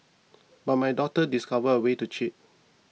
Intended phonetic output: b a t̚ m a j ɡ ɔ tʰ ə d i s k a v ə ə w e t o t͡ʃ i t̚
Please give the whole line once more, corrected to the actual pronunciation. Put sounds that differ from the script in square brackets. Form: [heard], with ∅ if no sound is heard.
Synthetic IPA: b a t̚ m a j [d] ɔ [t] ə d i s k a v ə ə w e t [u] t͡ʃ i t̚